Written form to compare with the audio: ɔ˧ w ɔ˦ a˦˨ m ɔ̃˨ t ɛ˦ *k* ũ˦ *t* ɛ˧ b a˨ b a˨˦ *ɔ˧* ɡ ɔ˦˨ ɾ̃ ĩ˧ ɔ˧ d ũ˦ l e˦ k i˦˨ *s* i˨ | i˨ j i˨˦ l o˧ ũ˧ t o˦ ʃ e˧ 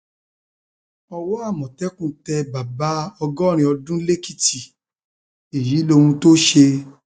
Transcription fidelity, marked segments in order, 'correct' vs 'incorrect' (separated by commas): correct, correct, correct, incorrect